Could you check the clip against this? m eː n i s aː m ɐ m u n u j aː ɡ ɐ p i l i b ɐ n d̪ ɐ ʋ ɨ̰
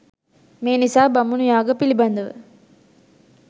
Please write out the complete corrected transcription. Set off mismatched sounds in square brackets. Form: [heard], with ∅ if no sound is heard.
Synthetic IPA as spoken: m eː n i s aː [b] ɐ m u n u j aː ɡ ɐ p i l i b ɐ n d̪ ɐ ʋ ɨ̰